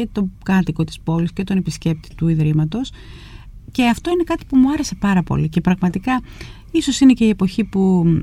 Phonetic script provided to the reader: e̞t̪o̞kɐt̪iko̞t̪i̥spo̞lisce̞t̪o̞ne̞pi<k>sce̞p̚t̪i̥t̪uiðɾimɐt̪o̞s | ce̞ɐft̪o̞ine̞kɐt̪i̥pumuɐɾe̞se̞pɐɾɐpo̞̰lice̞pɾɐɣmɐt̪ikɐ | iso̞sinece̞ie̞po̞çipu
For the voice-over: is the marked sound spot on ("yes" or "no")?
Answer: no